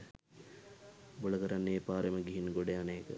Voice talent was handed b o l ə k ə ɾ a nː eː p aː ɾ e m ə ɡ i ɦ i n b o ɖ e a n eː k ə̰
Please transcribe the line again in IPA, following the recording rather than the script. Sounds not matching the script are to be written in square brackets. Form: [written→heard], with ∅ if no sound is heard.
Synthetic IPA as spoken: b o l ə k ə ɾ a nː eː p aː ɾ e m ə ɡ i ɦ i n [b→ɡ] o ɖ e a n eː k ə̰

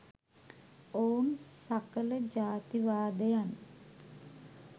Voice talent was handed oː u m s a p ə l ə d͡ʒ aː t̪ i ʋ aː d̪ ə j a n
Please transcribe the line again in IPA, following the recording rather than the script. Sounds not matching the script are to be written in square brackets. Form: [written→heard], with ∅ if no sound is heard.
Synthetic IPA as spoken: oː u [m→n] s a [p→k] ə l ə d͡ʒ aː t̪ i ʋ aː d̪ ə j a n

